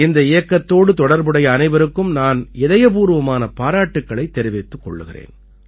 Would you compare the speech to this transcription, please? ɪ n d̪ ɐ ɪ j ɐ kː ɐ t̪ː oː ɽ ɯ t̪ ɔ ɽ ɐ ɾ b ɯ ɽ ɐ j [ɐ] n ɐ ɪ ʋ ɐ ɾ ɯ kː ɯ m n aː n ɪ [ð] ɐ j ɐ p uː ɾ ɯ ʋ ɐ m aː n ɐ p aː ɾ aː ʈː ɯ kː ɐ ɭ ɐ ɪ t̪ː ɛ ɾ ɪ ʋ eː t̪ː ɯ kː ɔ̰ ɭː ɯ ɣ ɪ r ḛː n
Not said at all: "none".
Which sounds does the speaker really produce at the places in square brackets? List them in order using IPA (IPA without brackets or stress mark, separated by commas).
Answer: ɐː, ð